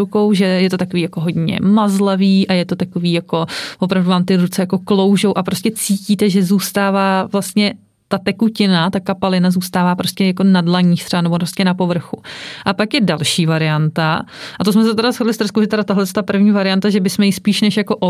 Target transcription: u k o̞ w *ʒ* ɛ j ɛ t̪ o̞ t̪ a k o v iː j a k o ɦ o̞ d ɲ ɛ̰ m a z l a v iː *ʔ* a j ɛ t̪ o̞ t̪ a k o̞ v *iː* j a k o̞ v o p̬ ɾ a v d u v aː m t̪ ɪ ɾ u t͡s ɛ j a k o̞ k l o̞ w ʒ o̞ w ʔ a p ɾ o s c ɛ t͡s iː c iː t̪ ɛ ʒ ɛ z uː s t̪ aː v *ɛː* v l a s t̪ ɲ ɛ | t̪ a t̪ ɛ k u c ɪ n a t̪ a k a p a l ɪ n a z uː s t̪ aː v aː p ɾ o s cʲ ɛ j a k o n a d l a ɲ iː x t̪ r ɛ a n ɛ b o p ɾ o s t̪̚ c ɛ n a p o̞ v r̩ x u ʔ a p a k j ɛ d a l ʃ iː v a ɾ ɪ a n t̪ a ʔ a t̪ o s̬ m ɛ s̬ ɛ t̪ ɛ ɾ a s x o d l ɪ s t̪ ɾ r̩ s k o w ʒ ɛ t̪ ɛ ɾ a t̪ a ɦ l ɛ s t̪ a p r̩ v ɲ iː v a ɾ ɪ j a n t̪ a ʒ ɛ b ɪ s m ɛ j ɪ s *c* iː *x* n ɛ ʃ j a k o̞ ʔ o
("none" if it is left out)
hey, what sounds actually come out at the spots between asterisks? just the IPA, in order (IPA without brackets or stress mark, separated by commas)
ʒ, ʔ, iː, aː, p, ʃ